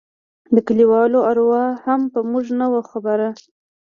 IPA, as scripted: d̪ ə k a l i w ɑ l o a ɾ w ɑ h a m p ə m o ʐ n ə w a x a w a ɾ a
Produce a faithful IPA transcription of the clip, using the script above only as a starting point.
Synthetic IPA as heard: d̪ ə k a l i w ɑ l o a ɾ w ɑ h a m p ə m u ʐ n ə w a x a b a ɾ a

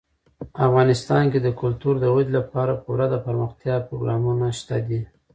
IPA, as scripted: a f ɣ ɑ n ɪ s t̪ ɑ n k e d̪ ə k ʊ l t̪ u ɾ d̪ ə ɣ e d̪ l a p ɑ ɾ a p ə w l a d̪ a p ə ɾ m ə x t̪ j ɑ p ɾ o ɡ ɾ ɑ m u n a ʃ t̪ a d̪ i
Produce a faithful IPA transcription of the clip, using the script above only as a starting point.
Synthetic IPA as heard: a f ɣ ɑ n ɪ s t̪ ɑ n k e d̪ ə k ʊ l t̪ u ɾ d̪ ə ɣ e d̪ l a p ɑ ɾ a p ə w ɾ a d̪ a p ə ɾ m ə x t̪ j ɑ p ɾ o ɡ ɾ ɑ m u n a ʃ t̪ a d̪ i

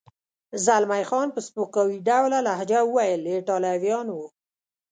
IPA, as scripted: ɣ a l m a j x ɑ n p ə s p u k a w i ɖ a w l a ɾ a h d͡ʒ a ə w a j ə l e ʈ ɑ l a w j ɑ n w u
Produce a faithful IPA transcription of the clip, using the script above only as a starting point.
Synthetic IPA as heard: z a l m a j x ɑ n p ə s p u k a w i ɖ a w l a l a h d͡ʒ a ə w a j ə l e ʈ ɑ l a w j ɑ n w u

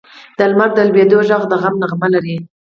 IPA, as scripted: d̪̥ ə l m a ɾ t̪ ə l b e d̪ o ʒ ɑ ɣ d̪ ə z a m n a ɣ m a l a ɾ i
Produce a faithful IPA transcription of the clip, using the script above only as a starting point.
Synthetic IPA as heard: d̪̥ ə l m a ɾ d̪ ə l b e d̪ o ʒ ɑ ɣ d̪ ə ɣ a m n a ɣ m a l a ɾ i

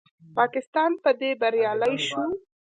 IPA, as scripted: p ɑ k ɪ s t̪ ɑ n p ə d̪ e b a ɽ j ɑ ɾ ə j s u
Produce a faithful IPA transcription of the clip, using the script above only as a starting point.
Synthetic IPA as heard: p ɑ k ɪ s t̪ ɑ n p ə d̪ e b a ɾ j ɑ l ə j ʃ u

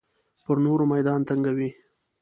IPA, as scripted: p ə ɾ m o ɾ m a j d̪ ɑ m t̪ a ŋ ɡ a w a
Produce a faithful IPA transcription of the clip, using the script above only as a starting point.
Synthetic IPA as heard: p ə ɾ n o ɾ m a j d̪ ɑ n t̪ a ŋ ɡ a w i

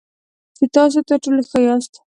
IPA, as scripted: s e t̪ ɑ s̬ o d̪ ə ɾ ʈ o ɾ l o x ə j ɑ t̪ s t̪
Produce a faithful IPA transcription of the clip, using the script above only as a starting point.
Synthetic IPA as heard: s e t̪ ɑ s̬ o t̪ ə ɾ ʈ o l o x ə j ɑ s t̪

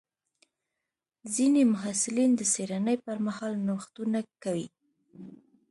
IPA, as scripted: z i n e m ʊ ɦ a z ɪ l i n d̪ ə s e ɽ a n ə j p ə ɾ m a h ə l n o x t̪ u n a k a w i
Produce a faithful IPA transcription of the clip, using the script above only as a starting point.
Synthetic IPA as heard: z i n e m ʊ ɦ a s ɪ l i n d̪ ə s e ɾ a n ə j p ə ɾ m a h ɑ l n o x t̪ u n a k a w i

